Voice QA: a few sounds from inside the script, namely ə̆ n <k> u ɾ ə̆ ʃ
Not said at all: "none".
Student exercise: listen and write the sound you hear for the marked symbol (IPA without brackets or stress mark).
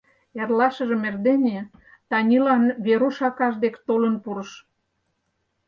p